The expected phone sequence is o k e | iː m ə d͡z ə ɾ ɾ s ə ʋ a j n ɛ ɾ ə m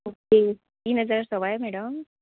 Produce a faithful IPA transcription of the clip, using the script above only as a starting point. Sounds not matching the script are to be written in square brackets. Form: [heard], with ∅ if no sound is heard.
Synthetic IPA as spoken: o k e | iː [n] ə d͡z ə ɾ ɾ s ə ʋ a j [m] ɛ [ɽ] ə m